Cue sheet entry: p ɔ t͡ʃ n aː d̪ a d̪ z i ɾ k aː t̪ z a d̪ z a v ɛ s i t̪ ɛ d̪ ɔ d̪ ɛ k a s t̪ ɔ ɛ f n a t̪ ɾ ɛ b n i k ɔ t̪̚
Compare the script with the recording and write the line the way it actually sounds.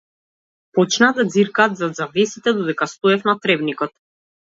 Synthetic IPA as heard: p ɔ t͡ʃ n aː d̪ a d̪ z i ɾ k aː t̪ z a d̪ z a v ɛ s i t̪ ɛ d̪ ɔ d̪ ɛ k a s t̪ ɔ ɛ f n a t̪ ɾ ɛ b n i k ɔ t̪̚